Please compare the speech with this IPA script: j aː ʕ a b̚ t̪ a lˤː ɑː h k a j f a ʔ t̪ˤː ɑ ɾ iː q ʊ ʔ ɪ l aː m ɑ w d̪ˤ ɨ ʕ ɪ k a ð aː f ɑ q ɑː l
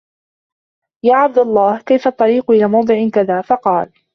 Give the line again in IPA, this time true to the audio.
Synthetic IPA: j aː ʕ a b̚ d̪ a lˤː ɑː h k a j f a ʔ t̪ˤː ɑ ɾ iː q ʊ ʔ ɪ l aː m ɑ w d̪ˤ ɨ ʕ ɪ k a ð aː f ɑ q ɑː l